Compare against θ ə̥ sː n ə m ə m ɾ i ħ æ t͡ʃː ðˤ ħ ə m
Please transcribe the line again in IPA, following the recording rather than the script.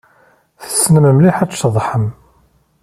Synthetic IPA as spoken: θ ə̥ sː n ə m ə m l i ħ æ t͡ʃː ðˤ ħ ə m